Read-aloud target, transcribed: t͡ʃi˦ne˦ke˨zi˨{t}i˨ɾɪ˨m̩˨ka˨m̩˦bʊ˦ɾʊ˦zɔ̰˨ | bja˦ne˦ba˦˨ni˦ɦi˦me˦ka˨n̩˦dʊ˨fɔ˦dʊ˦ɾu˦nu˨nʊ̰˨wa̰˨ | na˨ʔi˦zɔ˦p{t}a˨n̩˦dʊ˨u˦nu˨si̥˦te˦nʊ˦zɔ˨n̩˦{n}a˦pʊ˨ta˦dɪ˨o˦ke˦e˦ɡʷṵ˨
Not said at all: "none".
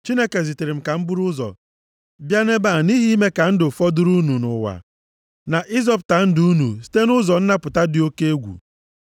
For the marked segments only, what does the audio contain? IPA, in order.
t, t, n

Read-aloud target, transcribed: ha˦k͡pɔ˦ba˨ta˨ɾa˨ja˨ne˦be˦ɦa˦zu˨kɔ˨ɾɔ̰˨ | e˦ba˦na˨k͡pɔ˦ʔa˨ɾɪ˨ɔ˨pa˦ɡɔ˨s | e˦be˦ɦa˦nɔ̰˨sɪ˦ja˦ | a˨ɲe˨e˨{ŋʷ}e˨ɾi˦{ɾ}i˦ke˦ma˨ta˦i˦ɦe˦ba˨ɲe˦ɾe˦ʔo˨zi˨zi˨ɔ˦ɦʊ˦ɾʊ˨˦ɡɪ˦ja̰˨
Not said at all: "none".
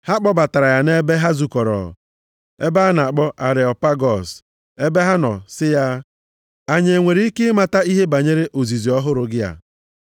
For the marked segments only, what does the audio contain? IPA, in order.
ŋʷ, none

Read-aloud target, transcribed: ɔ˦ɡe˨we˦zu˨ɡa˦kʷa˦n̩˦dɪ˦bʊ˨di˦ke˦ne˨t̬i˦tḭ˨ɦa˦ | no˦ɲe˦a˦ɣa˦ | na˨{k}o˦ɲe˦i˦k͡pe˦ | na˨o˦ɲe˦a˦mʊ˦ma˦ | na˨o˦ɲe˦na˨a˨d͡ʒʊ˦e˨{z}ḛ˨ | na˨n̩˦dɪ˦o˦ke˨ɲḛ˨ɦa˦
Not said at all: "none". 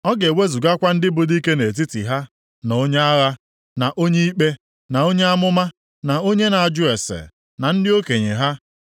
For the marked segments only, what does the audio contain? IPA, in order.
ʔ, s

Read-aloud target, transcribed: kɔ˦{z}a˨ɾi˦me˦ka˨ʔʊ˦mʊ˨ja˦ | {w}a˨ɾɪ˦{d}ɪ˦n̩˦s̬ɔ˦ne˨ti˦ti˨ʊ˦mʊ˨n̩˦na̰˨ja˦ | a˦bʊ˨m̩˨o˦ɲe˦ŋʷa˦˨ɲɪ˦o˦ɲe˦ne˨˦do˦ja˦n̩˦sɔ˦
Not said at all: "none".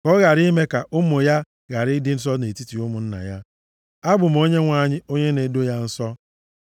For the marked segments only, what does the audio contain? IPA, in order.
ɣ, ɣ, d

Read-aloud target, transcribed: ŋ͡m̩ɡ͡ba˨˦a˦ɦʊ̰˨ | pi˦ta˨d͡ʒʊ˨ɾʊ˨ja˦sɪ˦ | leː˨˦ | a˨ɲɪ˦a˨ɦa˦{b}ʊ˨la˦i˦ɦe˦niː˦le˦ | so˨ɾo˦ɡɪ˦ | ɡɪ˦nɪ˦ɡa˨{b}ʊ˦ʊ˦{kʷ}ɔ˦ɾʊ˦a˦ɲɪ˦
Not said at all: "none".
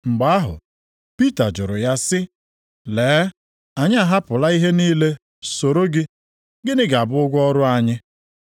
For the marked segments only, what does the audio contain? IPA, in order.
p, b, ɡʷ

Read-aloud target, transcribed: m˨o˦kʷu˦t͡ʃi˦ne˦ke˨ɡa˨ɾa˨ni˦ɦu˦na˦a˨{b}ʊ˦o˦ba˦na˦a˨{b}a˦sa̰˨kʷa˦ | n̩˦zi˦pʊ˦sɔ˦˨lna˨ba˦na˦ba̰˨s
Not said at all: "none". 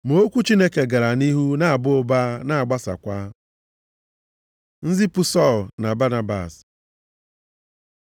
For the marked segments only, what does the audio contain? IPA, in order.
b, ɡ͡b

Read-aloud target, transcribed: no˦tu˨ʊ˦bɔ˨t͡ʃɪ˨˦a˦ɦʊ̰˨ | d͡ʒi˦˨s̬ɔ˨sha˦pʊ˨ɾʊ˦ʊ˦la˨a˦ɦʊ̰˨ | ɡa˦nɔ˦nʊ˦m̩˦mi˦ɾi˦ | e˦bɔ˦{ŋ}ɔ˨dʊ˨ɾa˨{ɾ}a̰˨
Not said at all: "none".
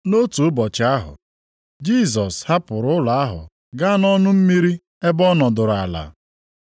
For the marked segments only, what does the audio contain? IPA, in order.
n, l

